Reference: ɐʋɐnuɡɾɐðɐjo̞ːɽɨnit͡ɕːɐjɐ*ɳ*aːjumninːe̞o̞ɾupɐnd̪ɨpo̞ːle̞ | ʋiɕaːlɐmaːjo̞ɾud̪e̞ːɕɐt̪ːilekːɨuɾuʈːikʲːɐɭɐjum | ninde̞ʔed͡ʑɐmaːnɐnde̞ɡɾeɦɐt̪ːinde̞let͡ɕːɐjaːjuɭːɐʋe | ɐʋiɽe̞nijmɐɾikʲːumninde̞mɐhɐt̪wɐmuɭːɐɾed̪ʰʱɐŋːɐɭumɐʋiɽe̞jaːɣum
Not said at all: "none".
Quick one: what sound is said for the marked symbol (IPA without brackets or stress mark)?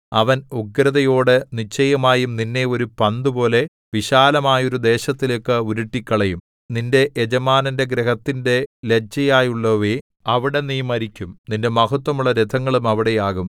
m